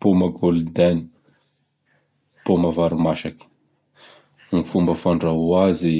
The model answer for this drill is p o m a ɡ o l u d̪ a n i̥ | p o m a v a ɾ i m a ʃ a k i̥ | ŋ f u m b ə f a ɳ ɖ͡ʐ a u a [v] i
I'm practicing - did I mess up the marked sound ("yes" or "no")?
yes